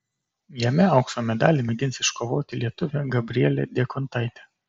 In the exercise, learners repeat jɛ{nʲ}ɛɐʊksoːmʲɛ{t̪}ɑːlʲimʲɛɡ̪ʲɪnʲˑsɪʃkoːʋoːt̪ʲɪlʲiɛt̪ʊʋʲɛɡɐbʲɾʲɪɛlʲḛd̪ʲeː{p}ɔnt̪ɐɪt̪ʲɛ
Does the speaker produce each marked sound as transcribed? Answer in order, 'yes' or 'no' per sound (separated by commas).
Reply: no, no, no